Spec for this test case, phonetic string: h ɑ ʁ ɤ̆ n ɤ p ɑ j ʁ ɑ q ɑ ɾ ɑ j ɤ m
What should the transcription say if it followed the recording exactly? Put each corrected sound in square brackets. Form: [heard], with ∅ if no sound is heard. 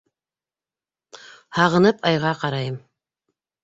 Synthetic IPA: h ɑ ʁ ɤ̆ n ɤ p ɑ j ʁ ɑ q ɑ ɾ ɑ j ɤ m

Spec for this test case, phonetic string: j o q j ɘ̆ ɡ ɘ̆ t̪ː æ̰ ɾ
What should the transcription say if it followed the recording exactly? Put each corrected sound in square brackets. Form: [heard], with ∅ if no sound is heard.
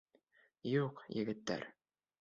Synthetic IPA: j [u] q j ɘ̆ ɡ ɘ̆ t̪ː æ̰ ɾ

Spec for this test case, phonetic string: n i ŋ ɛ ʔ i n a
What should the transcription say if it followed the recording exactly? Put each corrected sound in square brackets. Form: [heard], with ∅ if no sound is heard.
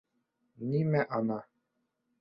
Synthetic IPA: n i [m] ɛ ʔ [a] n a

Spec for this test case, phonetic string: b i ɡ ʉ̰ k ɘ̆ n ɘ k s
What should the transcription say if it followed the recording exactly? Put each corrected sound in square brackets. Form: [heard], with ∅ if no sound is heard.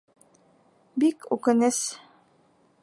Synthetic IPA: b i [k] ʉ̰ k ɘ̆ n ɘ [∅] s

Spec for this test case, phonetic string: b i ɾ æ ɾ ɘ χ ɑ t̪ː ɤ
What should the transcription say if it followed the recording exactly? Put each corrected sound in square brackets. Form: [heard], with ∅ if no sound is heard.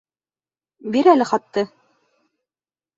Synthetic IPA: b i ɾ æ [l] ɘ χ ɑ t̪ː ɤ

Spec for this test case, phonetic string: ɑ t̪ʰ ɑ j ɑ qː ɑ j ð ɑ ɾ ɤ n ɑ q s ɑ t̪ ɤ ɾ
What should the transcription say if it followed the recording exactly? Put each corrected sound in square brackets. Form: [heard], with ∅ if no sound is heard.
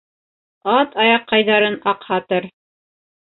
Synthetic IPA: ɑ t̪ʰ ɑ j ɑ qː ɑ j ð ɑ ɾ ɤ n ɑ q [h] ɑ t̪ ɤ ɾ

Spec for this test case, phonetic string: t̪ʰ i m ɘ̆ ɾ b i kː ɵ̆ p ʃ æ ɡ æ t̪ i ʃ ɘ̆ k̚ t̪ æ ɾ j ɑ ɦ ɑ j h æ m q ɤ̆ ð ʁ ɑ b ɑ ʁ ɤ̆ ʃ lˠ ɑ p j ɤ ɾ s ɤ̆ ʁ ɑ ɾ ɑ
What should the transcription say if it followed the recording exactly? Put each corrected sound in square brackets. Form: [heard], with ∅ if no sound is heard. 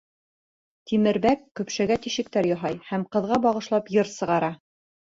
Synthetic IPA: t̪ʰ i m ɘ̆ ɾ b [æ] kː ɵ̆ p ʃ æ ɡ æ t̪ i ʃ ɘ̆ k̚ t̪ æ ɾ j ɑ ɦ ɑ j h æ m q ɤ̆ ð ʁ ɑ b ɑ ʁ ɤ̆ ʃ lˠ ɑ p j ɤ ɾ s ɤ̆ ʁ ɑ ɾ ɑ

